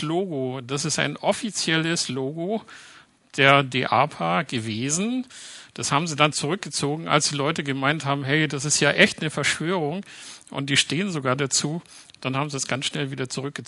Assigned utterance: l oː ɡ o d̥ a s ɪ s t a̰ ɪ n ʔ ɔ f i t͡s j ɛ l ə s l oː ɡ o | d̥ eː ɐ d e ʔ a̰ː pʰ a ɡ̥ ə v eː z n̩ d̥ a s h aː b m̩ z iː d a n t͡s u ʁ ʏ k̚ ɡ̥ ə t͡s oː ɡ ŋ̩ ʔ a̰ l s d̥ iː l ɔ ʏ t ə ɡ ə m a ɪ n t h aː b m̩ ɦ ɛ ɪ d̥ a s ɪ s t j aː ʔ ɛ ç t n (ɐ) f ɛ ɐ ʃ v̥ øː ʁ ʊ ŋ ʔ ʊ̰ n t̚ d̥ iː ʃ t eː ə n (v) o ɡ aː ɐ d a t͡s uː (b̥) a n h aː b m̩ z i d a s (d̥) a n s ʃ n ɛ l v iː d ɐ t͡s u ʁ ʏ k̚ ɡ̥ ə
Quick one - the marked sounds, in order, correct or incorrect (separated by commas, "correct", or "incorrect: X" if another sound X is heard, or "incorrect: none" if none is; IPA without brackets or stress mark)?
incorrect: ə, incorrect: z, incorrect: d̥, incorrect: ɡ̥